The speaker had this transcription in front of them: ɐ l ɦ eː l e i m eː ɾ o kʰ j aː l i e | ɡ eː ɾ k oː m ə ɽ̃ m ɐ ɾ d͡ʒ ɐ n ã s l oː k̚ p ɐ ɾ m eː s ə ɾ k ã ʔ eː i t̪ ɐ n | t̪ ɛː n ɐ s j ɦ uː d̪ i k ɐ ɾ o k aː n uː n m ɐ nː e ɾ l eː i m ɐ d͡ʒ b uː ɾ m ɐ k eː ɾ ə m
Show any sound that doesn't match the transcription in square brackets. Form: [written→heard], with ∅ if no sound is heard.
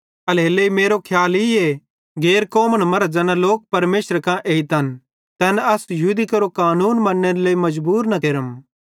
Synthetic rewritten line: ɐ l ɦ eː l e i m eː ɾ o kʰ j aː l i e | ɡ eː ɾ k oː m ə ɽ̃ m ɐ ɾ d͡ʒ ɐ n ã [s→∅] l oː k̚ p ɐ ɾ m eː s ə ɾ k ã ʔ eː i t̪ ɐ n | t̪ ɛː n ɐ s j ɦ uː d̪ i k ɐ ɾ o k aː n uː n m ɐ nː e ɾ l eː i m ɐ d͡ʒ b uː ɾ [m→n] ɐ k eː ɾ ə m